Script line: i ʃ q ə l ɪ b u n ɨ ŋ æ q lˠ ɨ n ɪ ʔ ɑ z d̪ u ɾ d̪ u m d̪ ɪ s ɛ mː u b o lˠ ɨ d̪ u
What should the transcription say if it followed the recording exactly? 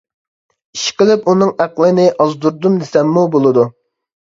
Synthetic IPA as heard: i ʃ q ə l ɪ p u n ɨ ŋ æ q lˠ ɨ n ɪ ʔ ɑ z d̪ u ɾ d̪ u m d̪ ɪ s ɛ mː u b o lˠ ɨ d̪ u